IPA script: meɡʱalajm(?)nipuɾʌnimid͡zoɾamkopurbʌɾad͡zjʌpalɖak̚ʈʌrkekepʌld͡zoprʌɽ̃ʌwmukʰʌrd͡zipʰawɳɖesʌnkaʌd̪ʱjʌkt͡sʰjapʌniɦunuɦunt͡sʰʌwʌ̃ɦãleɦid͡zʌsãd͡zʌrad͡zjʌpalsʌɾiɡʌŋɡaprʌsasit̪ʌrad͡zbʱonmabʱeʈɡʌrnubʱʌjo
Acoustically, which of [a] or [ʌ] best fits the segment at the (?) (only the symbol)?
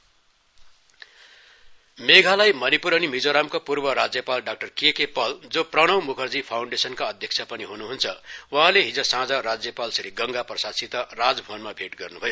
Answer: ʌ